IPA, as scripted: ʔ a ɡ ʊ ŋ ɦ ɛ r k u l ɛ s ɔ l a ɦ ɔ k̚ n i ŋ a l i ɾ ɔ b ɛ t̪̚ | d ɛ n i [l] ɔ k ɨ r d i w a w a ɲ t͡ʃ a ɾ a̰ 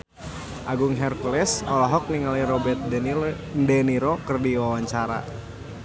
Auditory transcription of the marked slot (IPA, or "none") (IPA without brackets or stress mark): ɾ